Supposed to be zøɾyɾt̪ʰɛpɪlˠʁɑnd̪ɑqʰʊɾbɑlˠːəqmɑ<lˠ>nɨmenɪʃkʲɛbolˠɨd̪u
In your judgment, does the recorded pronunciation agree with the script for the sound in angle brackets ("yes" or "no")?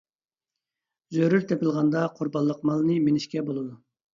yes